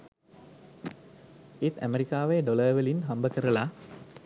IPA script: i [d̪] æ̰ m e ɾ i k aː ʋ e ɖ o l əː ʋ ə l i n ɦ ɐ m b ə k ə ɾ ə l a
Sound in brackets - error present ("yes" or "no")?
yes